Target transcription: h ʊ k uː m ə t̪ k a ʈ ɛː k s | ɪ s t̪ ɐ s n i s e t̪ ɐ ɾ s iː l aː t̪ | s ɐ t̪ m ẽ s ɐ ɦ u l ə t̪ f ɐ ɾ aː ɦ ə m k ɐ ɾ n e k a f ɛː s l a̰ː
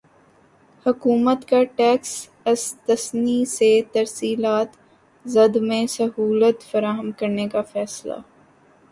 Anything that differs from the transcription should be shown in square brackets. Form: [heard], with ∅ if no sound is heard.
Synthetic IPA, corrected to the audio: h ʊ k uː m ə t̪ k a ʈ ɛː k s | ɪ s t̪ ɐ s n i s e t̪ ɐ ɾ s iː l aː t̪ | [z] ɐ [d̪] m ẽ s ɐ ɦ [uː] l ə t̪ f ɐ ɾ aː ɦ ə m k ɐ ɾ n e k a f ɛː s l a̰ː